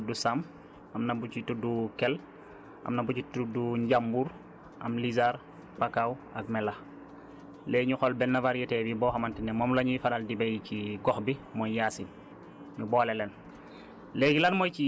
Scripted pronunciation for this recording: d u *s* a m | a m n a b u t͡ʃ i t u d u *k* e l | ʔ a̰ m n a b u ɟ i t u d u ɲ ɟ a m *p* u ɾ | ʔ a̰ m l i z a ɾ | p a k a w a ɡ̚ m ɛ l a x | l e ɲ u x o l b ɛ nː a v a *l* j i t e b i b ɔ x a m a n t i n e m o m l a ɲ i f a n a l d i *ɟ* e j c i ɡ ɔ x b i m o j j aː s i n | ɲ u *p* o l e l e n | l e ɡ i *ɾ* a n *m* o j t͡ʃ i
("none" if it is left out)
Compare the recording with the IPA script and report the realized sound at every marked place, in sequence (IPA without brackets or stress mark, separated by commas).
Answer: s, k, b, ɾ, b, b, l, m